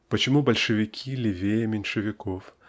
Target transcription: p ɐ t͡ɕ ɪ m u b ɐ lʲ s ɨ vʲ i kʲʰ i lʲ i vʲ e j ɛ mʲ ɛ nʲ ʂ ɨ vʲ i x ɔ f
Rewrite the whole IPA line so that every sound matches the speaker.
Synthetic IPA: p ɐ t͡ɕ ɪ m u b ɐ lʲ ʂ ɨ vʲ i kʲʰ i lʲ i vʲ e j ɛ mʲ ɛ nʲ ʂ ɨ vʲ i k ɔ f